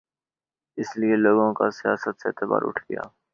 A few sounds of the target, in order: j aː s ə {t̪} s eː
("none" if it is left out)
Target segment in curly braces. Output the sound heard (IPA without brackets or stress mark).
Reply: t̪